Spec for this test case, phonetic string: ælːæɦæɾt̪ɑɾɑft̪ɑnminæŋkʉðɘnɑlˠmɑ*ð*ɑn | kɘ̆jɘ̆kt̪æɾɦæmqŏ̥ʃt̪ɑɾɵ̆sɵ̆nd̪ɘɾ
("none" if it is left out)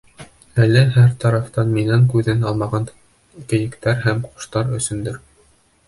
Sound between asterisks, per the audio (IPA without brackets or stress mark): ʁ